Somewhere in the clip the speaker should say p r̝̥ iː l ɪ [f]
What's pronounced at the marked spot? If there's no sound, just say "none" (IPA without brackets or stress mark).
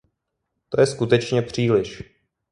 ʃ